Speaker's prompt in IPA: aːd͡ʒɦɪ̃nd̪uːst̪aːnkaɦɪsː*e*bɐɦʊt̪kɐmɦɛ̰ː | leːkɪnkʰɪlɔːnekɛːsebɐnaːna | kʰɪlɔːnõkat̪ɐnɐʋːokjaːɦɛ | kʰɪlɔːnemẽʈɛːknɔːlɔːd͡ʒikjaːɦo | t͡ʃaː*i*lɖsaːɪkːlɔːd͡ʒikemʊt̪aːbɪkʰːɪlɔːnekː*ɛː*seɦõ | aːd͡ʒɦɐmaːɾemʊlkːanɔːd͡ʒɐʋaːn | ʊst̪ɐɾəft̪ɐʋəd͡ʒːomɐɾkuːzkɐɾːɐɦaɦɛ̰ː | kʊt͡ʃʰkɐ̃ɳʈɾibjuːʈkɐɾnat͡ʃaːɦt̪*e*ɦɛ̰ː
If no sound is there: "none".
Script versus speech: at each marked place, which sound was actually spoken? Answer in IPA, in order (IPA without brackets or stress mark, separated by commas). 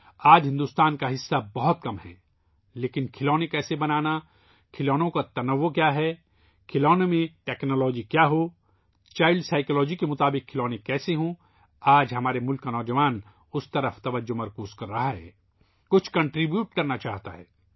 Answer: a, ɪ, ɛː, a